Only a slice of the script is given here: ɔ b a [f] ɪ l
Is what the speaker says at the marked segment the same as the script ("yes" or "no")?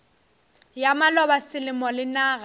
no